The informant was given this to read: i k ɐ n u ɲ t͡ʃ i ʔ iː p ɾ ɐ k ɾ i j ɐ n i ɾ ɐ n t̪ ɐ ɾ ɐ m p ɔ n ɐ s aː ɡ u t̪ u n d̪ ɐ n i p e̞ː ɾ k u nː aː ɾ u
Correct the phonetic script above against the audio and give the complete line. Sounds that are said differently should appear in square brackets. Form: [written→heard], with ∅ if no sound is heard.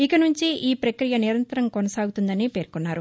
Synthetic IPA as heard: i k ɐ n u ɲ t͡ʃ i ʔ iː p ɾ ɐ k ɾ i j ɐ n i ɾ ɐ n t̪ ɐ ɾ ɐ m [p→k] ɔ n ɐ s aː ɡ u t̪ u n d̪ ɐ n i p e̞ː ɾ k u nː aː ɾ u